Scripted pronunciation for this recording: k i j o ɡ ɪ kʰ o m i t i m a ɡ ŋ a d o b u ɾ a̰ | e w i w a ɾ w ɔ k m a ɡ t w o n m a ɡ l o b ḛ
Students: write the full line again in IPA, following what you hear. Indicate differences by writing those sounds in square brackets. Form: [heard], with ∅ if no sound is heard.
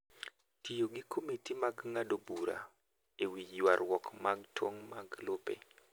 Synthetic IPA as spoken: [t] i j o ɡ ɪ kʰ o m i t i m a ɡ ŋ a d o b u ɾ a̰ | e w i w a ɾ w ɔ k m a ɡ t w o [ŋ] m a ɡ l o [p] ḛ